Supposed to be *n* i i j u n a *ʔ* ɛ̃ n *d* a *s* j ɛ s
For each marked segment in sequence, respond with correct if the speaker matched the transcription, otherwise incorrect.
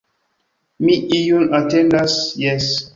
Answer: incorrect: m, incorrect: t, correct, correct

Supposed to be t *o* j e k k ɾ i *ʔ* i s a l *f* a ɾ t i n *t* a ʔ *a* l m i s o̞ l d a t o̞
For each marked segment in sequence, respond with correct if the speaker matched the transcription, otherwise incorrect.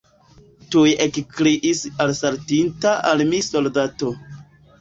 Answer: incorrect: u, correct, incorrect: s, correct, correct

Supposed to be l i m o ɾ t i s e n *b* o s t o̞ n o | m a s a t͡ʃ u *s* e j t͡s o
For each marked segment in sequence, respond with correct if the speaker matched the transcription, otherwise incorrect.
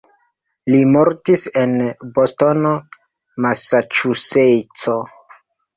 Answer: correct, correct

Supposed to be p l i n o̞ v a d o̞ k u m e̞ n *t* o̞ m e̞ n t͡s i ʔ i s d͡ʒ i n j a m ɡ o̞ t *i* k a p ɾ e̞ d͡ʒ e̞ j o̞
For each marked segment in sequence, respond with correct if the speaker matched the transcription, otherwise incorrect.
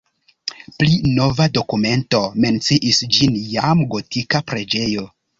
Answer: correct, correct

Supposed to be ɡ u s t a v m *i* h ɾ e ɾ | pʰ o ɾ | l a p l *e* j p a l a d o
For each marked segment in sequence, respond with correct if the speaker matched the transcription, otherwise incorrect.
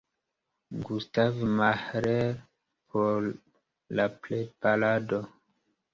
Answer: incorrect: a, correct

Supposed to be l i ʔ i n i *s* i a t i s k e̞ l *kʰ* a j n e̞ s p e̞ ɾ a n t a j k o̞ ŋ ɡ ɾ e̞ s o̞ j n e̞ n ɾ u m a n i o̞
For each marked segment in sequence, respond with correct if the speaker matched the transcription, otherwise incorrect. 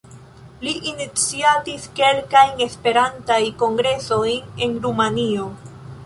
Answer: incorrect: t͡s, incorrect: k

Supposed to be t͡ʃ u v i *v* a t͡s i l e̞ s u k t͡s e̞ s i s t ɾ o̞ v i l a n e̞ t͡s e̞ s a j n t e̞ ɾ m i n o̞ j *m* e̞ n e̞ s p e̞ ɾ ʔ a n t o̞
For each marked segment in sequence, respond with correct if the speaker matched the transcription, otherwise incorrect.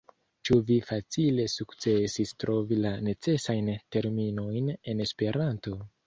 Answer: incorrect: f, incorrect: n

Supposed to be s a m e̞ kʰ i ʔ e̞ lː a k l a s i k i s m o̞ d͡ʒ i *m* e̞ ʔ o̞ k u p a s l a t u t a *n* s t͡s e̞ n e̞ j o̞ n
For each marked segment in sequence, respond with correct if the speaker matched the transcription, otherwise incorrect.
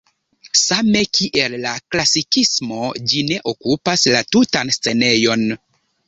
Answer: incorrect: n, correct

